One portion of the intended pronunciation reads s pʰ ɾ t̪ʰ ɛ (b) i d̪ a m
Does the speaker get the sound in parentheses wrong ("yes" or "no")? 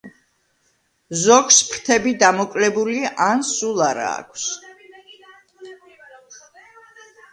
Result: no